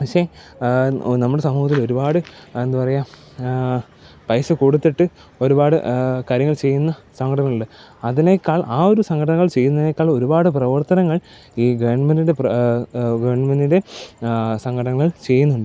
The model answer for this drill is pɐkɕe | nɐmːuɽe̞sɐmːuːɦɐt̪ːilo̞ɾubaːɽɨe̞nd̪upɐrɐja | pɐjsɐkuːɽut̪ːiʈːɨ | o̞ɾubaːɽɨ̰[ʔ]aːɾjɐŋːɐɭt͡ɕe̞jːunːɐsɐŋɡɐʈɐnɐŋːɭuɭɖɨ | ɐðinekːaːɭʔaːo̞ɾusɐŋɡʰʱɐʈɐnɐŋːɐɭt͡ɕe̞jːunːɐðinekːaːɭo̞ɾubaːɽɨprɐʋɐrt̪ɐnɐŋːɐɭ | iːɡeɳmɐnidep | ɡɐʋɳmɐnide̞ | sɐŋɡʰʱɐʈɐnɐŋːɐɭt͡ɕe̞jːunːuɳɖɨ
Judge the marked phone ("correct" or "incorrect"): incorrect